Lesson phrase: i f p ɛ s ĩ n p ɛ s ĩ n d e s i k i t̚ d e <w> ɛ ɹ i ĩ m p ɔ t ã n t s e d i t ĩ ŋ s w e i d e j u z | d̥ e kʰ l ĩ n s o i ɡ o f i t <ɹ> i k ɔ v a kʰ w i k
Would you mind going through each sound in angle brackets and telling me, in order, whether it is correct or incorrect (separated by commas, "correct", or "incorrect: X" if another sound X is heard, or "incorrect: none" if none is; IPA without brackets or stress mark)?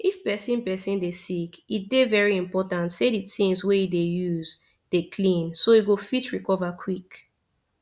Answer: incorrect: v, correct